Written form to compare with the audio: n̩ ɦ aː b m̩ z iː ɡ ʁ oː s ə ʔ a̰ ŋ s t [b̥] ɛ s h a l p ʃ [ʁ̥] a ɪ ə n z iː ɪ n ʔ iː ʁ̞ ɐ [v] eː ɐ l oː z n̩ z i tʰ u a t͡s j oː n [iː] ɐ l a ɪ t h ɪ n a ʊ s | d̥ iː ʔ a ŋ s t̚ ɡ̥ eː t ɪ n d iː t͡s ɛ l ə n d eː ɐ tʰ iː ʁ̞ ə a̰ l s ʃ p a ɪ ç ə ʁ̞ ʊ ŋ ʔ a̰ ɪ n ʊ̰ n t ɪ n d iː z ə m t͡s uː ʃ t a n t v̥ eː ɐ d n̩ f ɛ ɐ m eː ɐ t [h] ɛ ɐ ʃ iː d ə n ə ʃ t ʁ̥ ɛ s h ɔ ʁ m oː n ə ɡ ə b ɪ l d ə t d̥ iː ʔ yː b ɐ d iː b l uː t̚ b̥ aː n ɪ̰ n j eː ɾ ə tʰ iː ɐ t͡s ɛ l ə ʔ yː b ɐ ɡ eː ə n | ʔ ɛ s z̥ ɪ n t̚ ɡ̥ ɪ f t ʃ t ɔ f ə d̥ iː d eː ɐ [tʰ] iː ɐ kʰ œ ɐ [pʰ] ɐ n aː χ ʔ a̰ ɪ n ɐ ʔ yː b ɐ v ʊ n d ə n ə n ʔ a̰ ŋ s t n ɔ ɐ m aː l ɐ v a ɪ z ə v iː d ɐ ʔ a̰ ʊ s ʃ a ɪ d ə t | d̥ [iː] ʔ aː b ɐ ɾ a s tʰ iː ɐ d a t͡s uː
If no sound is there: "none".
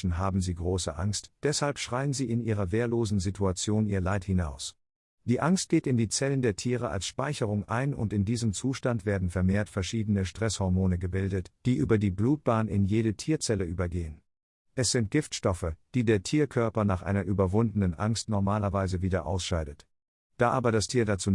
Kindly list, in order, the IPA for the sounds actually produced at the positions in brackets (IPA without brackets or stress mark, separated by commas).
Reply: d̥, ʁ̥, v, iː, f, tʰ, p, aː